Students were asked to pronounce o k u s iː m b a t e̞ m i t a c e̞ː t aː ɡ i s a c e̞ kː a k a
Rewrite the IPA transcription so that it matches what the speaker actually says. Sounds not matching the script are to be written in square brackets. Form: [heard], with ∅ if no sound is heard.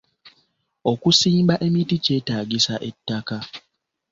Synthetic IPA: o k u s iː m b a [ʔ] e̞ m i t [i] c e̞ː t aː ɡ i s a [ʔ] e̞ [tː] a k a